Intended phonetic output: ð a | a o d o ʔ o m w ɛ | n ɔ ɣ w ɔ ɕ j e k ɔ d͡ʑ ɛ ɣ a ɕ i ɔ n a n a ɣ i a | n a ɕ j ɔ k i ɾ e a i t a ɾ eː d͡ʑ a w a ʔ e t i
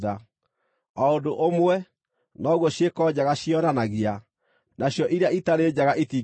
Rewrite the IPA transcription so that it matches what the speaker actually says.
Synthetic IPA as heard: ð a | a o d o ʔ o m w ɛ | n ɔ ɣ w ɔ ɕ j e k ɔ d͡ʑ a ɣ a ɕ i ɔ n a n a ɣ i a | n a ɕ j ɔ ʔ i ɾ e a i t a ɾ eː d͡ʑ a ɣ a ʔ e t i